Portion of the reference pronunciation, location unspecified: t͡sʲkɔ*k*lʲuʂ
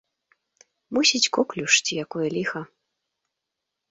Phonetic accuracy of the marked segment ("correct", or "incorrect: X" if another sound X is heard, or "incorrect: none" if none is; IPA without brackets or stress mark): correct